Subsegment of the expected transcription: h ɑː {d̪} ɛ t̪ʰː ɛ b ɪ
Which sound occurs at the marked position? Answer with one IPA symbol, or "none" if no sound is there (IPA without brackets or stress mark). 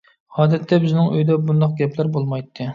d̪